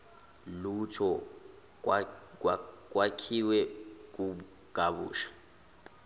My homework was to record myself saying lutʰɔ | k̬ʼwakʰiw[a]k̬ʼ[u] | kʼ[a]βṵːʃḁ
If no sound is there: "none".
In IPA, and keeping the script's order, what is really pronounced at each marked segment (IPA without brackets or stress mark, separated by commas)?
ɛ, u, a